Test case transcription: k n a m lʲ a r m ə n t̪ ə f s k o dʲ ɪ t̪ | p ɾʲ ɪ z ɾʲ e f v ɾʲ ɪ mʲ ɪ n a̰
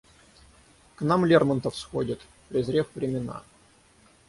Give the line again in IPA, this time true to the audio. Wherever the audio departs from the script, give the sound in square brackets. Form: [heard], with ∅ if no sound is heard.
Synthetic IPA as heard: k n a m lʲ [e] r m ə n t̪ ə f s [x] o dʲ ɪ t̪ | p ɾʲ ɪ z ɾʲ e f v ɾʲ ɪ mʲ ɪ n a̰